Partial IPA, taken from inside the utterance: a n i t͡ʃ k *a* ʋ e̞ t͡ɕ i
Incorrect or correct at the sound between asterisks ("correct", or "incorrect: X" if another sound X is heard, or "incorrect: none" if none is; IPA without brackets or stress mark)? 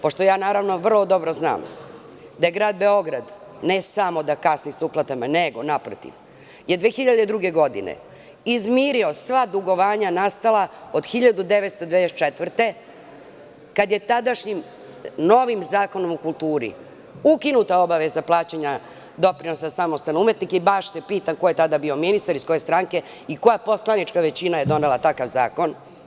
correct